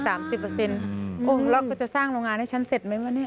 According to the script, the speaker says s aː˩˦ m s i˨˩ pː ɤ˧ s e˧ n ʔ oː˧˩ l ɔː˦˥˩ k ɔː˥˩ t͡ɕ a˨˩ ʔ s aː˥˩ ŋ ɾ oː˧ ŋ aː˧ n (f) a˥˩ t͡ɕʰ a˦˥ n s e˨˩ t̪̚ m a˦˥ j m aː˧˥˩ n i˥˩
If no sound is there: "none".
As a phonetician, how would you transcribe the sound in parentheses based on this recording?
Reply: h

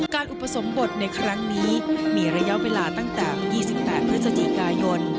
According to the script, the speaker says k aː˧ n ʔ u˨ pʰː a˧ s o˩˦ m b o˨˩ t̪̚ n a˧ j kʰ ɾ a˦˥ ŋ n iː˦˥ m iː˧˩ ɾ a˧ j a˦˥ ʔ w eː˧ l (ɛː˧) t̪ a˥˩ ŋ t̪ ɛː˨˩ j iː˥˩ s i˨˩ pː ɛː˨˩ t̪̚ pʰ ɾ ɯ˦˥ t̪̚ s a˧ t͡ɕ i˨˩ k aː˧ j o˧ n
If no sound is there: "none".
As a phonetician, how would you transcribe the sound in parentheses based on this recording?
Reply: aː˧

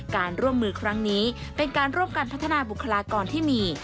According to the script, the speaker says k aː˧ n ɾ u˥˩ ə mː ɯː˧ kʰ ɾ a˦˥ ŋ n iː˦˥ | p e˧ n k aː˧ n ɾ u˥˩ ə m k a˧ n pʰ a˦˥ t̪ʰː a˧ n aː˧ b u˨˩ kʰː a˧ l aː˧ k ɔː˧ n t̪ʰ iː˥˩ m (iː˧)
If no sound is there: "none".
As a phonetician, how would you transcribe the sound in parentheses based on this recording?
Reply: iː˧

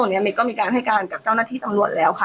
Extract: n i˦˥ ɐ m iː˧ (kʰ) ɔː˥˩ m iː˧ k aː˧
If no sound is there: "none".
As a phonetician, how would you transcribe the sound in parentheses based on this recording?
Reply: k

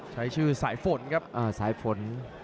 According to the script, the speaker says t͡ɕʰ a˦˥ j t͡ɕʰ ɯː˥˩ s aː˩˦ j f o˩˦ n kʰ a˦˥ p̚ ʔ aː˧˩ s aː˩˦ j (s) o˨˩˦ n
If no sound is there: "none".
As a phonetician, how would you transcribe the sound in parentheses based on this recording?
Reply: f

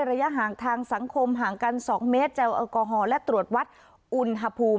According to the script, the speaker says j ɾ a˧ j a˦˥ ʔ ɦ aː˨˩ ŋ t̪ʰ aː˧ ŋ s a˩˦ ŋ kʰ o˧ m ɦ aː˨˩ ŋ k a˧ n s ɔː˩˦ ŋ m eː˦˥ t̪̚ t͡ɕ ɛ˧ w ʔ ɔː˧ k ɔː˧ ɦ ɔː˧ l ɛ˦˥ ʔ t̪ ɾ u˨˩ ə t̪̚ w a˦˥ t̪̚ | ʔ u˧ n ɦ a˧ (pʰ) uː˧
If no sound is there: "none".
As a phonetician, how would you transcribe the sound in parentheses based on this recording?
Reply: pʰ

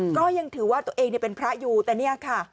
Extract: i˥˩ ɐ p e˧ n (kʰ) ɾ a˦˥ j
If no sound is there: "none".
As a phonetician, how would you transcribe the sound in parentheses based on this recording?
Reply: pʰ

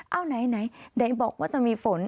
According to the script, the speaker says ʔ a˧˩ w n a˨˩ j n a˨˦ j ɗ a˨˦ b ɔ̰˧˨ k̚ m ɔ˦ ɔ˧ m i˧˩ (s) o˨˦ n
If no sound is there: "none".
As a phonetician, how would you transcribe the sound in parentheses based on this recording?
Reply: f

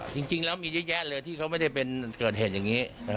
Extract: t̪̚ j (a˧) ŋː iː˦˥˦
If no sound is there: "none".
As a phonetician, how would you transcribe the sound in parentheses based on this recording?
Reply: a˨˩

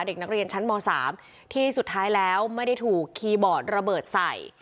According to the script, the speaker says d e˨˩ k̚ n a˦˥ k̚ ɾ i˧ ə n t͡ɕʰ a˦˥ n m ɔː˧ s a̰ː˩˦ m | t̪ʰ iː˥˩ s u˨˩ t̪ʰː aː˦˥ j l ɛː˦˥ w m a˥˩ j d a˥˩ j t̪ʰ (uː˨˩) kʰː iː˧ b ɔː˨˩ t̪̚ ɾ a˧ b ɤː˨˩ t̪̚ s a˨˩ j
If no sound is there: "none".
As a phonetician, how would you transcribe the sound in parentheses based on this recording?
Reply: uː˨˩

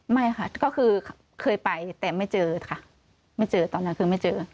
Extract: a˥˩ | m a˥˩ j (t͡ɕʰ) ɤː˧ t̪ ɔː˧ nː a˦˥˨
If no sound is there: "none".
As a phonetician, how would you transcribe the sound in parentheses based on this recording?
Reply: t͡ɕ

